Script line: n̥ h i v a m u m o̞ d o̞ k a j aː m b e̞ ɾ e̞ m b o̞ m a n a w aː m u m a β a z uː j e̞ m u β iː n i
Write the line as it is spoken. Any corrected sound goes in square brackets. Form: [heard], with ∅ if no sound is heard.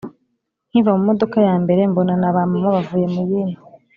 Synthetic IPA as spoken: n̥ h i v a m u m o̞ d o̞ k a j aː m b e̞ ɾ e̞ m b o̞ [n] a n a [β] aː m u m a β a [v] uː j e̞ m u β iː n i